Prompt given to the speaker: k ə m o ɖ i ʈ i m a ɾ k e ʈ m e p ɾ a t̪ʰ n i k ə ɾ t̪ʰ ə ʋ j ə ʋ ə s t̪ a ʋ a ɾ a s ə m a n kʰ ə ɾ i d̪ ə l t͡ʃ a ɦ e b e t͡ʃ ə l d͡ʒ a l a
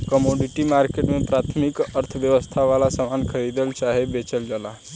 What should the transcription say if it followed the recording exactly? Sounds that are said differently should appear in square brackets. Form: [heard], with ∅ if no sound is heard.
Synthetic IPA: k ə m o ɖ i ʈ i m a ɾ k e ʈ m e p ɾ a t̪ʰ [m] i k ə ɾ t̪ʰ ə ʋ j ə ʋ ə s [t̪ʰ] a ʋ a [l] a s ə m a n kʰ ə ɾ i d̪ ə l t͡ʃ a ɦ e b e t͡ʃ ə l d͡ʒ a l a